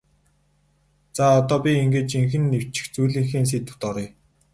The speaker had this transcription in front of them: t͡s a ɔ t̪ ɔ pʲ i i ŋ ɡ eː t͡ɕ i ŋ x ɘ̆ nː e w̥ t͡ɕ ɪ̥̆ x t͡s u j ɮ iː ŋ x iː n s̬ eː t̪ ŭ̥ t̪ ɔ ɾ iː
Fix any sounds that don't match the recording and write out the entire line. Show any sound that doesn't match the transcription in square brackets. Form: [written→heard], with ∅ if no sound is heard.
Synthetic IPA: t͡s a ɔ t̪ [ɔ→ɔː] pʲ i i ŋ ɡ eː t͡ɕ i ŋ x ɘ̆ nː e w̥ t͡ɕ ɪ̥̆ x t͡s u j ɮ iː ŋ x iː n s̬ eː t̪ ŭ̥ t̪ ɔ ɾ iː